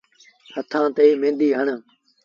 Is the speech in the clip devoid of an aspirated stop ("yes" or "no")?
no